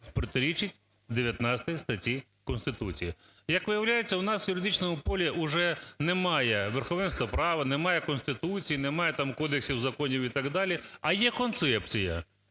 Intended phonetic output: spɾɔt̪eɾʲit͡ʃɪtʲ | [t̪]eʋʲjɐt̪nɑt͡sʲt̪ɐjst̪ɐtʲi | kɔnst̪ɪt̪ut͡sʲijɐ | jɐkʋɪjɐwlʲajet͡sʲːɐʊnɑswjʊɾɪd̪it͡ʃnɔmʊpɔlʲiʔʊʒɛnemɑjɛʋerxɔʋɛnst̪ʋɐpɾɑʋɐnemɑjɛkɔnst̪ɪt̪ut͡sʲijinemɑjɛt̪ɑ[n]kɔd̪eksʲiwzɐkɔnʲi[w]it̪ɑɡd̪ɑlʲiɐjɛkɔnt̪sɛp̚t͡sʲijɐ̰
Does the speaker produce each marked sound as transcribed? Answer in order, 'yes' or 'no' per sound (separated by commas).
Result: no, no, yes